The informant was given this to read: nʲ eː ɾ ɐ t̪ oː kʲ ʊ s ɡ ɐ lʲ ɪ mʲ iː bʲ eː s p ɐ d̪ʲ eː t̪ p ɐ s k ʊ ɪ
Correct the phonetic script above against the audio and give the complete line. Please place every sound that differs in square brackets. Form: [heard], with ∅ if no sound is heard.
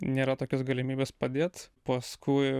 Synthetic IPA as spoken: nʲ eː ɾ ɐ t̪ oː kʲ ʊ s ɡ ɐ lʲ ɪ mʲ iː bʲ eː s p ɐ d̪ʲ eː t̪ p ɐ s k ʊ ɪ